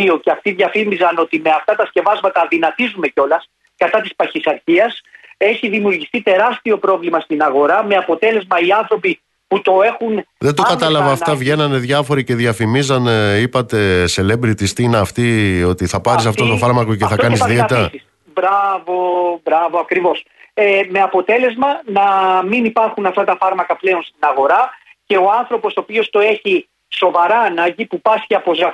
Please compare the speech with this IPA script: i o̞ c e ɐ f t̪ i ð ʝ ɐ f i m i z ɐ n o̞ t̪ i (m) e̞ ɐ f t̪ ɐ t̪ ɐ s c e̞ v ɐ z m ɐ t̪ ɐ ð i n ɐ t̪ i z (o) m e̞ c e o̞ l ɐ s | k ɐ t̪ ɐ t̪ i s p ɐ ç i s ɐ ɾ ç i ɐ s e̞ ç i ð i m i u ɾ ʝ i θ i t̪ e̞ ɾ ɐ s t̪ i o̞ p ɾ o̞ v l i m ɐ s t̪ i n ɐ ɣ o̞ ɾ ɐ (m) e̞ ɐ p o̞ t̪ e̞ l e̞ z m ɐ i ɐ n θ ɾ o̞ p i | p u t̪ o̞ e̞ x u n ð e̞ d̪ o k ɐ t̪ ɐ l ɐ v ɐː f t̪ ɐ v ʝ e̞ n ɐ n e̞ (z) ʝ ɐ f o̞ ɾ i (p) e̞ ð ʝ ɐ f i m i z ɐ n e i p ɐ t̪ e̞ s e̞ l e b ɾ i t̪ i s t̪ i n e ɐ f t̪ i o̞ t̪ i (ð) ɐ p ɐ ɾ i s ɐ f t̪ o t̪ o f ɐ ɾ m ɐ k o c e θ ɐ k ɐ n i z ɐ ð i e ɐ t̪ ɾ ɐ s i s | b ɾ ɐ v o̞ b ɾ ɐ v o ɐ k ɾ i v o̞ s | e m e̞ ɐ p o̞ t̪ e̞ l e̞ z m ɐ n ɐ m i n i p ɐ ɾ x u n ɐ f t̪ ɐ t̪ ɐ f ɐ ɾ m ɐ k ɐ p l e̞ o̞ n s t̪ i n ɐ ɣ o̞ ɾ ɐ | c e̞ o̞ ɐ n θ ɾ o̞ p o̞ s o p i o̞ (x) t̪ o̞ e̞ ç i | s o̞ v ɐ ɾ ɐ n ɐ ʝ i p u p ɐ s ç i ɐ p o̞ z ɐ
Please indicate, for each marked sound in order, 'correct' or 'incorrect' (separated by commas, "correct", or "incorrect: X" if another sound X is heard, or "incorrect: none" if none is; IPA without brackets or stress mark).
correct, incorrect: u, correct, incorrect: ð, incorrect: c, incorrect: θ, incorrect: s